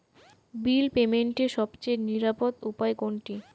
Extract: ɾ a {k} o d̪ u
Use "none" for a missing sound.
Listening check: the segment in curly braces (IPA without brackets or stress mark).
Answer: p